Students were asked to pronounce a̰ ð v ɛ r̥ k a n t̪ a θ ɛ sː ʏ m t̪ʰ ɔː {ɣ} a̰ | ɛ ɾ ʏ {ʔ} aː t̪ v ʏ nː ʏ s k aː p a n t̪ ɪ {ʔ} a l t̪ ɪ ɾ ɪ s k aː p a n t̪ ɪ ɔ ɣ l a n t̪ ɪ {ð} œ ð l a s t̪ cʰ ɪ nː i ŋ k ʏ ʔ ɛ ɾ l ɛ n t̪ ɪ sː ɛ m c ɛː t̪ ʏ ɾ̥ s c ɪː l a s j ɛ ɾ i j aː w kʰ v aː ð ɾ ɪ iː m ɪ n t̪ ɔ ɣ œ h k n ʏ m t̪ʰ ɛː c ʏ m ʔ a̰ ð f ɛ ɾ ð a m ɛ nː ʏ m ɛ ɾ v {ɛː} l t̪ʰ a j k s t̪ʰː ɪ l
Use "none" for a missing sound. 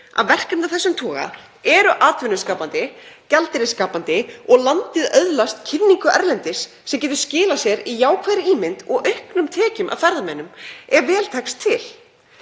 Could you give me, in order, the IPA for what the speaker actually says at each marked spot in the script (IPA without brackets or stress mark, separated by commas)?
ɣ, ʔ, c, ð, ɛː